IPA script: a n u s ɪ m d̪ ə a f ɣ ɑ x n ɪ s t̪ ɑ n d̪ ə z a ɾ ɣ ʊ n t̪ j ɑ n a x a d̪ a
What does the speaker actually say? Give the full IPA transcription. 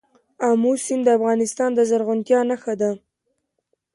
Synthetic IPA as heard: a m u s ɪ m d̪ ə a f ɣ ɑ n ɪ s t̪ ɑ n d̪ ə z a ɾ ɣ ʊ n t̪ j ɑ n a x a d̪ a